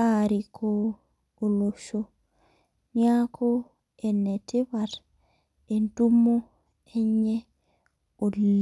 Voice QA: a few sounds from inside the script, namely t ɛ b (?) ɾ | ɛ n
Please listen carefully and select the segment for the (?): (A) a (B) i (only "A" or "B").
A